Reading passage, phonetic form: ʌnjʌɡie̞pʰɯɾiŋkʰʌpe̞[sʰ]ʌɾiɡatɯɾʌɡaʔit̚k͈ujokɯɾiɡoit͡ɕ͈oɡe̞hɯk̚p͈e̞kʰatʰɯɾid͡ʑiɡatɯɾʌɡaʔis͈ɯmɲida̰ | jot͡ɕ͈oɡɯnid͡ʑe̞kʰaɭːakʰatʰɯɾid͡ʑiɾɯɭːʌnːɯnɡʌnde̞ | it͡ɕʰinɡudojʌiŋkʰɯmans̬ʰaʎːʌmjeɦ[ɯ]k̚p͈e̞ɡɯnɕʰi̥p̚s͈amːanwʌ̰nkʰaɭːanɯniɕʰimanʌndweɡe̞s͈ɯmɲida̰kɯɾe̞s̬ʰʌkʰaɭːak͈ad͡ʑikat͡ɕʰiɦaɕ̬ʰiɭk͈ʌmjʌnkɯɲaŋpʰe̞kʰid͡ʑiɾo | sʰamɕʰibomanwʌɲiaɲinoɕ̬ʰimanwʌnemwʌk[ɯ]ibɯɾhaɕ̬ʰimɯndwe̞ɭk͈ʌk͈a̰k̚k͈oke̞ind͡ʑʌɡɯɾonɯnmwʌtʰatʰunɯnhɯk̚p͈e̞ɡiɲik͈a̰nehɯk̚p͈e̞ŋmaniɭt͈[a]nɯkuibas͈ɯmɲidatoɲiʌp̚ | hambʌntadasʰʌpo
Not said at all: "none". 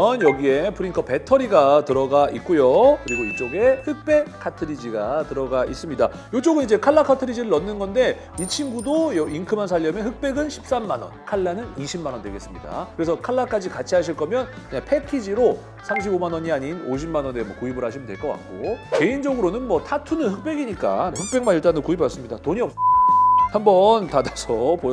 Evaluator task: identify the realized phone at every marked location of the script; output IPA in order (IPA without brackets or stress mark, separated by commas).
tʰ, ɯ, u, a